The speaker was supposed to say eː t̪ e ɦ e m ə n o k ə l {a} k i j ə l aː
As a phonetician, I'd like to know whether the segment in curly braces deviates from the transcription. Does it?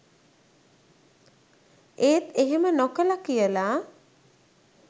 no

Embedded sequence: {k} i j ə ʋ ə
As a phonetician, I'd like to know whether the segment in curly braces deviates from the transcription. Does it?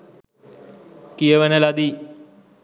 no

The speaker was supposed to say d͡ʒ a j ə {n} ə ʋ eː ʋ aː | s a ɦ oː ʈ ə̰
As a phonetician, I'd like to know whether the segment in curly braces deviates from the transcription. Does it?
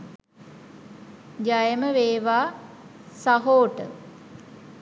yes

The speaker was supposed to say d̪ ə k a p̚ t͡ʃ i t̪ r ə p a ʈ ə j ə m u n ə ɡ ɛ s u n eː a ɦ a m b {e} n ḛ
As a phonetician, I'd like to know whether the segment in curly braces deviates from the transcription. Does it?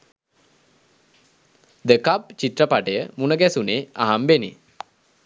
no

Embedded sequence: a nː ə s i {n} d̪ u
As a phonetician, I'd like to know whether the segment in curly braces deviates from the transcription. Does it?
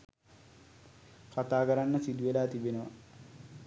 yes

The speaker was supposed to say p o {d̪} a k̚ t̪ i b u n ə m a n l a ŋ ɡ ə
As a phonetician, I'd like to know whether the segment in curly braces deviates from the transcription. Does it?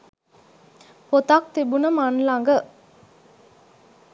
yes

